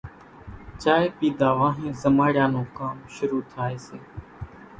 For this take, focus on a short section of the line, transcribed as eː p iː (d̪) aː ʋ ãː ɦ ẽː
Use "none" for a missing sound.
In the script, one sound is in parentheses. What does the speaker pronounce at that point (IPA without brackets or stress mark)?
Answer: d̪